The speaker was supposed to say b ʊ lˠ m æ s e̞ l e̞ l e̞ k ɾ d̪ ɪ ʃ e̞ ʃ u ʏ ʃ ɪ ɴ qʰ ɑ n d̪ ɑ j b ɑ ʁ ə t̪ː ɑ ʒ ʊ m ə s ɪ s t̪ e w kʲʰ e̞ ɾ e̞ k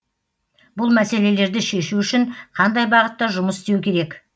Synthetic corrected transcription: b ʊ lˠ m æ s e̞ l e̞ l e̞ ɾ d̪ ɪ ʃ e̞ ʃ u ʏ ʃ ɪ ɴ qʰ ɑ n d̪ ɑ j b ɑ ʁ ə t̪ː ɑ ʒ ʊ m ə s ɪ s t̪ e w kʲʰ e̞ ɾ e̞ k